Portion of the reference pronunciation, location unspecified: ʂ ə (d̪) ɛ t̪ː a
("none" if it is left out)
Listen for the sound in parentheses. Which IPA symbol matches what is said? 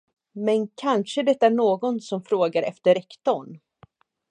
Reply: d̪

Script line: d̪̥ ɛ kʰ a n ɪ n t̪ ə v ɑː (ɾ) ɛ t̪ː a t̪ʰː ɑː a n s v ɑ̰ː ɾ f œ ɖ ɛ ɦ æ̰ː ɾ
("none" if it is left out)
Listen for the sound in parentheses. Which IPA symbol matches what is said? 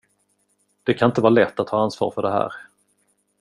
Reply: l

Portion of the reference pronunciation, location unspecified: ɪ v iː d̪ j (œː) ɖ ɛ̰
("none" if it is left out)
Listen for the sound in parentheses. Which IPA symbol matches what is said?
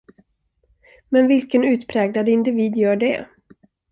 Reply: œː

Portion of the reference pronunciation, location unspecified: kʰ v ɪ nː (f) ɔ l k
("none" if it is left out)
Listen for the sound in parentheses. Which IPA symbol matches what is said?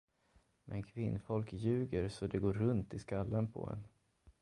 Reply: f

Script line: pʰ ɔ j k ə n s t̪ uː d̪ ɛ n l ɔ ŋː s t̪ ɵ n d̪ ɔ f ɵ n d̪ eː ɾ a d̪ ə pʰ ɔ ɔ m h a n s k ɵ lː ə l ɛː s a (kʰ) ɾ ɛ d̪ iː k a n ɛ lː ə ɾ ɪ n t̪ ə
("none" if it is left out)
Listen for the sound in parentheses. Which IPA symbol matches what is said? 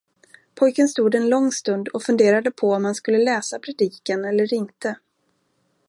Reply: pʰ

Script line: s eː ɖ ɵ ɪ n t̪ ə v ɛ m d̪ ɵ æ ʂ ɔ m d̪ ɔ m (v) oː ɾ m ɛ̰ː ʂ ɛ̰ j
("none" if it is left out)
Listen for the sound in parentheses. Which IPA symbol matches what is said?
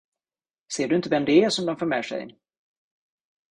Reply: f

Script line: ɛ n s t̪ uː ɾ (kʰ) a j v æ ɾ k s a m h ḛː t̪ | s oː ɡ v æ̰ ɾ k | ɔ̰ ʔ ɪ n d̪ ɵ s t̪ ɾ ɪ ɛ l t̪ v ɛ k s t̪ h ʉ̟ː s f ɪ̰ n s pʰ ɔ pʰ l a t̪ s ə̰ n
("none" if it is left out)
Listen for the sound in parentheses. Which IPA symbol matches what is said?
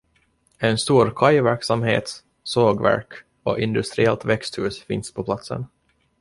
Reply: kʰ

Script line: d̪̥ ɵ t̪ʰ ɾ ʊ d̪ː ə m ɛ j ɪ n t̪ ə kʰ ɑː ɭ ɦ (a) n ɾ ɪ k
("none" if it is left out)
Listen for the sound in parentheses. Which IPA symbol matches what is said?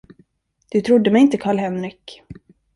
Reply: ɛ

